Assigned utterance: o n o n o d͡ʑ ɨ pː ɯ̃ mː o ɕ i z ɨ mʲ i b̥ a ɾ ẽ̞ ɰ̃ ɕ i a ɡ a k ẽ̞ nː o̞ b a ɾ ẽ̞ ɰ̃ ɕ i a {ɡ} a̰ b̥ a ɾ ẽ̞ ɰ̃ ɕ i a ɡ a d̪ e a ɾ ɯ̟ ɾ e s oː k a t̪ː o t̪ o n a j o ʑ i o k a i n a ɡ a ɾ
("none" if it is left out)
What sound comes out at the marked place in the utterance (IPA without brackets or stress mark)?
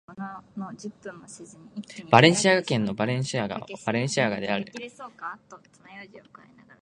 ɡ